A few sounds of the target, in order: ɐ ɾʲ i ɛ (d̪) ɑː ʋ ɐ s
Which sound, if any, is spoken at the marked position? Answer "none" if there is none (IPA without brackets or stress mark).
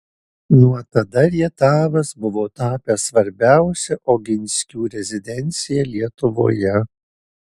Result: t̪